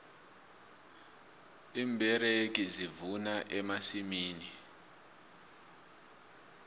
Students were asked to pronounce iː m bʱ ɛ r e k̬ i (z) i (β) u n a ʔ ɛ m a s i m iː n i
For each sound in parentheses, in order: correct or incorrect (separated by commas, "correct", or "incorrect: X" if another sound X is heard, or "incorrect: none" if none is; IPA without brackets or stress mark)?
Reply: correct, incorrect: v